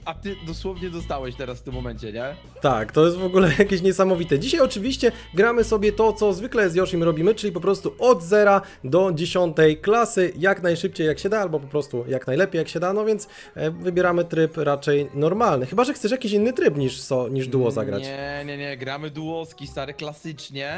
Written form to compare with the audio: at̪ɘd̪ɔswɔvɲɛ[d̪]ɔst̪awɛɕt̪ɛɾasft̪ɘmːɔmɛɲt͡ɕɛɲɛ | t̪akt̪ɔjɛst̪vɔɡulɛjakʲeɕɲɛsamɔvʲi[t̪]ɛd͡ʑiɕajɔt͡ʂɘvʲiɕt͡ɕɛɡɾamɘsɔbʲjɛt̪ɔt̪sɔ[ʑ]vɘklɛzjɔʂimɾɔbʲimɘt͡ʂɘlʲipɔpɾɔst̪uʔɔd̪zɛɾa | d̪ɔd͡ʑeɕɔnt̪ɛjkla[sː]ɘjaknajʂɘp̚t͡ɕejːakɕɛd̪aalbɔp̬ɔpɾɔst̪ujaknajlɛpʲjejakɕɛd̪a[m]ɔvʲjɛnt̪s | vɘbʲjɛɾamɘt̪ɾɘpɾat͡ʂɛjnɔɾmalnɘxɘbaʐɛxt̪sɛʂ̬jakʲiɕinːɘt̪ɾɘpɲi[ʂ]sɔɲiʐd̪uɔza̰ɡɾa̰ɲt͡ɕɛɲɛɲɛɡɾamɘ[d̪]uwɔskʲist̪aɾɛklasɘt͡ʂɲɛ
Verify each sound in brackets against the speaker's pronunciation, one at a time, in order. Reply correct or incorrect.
correct, correct, incorrect, incorrect, incorrect, correct, correct

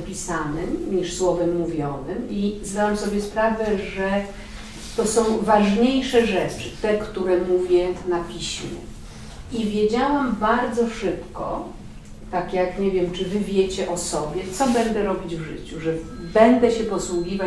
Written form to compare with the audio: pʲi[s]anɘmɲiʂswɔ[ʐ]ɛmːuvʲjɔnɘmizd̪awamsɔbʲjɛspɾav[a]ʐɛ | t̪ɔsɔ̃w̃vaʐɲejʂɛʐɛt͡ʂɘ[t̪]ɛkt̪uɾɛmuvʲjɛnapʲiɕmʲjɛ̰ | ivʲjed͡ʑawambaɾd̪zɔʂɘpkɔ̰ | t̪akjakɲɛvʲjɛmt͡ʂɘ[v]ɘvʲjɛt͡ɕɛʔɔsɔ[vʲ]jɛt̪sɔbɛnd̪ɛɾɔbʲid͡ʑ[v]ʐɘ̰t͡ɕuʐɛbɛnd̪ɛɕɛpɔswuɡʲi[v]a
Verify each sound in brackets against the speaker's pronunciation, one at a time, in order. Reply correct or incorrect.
correct, incorrect, incorrect, correct, correct, incorrect, correct, correct

